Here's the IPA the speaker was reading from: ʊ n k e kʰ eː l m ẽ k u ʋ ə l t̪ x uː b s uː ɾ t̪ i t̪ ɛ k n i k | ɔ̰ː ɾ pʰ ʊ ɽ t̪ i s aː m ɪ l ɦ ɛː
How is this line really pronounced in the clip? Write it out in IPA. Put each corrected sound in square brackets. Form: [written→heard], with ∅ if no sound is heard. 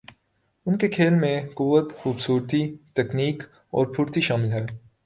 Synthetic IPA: ʊ n k e kʰ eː l m ẽ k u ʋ ə [l→∅] t̪ x uː b s uː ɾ t̪ i t̪ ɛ k n [i→iː] k | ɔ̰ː ɾ pʰ ʊ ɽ t̪ i [s→ʃ] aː m ɪ l ɦ ɛː